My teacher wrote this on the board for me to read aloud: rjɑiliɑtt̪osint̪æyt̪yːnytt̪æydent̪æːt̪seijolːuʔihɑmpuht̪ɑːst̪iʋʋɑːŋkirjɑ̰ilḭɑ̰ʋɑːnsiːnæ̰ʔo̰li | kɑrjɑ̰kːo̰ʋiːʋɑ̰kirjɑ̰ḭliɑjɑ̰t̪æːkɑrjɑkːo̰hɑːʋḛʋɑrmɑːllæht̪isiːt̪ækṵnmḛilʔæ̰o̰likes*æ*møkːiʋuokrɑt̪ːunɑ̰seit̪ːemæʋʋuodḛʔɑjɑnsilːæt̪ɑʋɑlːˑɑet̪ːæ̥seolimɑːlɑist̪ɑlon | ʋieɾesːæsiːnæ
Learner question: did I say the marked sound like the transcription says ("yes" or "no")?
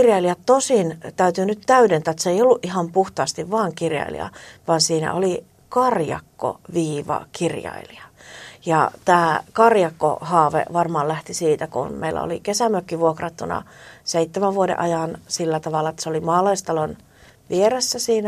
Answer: yes